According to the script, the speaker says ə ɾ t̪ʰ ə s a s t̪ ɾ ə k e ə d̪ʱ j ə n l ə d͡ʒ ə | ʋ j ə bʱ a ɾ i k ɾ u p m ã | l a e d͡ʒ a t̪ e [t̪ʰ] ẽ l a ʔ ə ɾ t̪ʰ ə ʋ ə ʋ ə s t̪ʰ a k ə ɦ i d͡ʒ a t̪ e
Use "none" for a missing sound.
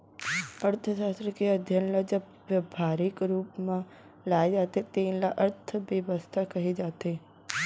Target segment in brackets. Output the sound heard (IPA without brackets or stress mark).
t̪